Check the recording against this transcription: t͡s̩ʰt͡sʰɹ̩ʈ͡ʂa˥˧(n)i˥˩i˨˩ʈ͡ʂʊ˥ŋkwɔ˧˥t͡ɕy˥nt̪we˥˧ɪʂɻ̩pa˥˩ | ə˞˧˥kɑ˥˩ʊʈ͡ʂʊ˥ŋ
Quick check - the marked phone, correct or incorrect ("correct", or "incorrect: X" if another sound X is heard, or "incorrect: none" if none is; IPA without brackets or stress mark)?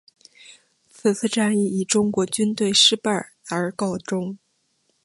correct